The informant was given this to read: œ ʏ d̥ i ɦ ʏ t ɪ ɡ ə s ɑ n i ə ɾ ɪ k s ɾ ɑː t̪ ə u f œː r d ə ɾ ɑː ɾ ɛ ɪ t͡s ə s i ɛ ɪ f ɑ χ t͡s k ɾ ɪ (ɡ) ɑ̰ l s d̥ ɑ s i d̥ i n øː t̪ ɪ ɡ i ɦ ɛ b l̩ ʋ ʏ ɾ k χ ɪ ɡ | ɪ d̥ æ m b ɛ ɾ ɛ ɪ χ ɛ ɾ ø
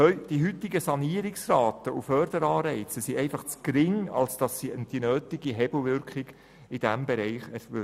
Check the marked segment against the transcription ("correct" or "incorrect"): incorrect